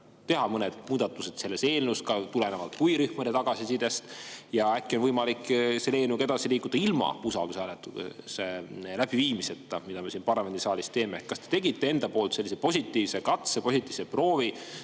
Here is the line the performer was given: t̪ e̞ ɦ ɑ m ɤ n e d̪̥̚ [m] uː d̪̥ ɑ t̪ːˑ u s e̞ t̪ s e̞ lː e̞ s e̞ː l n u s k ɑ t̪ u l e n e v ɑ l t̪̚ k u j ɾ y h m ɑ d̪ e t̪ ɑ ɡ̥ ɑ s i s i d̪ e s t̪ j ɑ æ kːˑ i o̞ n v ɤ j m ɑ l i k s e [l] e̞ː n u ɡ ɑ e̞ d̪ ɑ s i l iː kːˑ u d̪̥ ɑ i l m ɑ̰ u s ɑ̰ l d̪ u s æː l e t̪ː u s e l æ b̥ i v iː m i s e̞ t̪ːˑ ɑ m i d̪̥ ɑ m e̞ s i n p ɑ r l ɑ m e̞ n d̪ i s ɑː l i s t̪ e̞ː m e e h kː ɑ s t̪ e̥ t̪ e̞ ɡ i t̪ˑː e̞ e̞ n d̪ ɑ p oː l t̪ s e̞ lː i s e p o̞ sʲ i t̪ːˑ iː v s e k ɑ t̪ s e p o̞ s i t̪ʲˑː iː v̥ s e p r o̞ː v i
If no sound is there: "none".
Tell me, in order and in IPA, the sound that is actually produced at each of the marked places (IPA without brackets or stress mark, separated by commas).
m, l